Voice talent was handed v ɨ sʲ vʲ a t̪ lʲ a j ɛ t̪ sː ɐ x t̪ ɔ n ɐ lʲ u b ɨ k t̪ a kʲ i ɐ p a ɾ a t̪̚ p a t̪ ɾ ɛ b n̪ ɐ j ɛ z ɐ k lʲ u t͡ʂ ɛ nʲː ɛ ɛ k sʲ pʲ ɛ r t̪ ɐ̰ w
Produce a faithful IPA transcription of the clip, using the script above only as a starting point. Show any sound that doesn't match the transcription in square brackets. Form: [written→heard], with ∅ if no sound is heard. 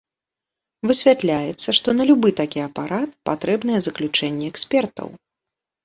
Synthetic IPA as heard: v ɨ sʲ vʲ a t̪ lʲ a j ɛ t̪ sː ɐ [x→ʂ] t̪ ɔ n ɐ lʲ u b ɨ [k→∅] t̪ a kʲ i ɐ p a ɾ a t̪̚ p a t̪ ɾ ɛ b n̪ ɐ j ɛ z ɐ k lʲ u t͡ʂ ɛ nʲː ɛ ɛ k sʲ pʲ ɛ r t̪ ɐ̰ w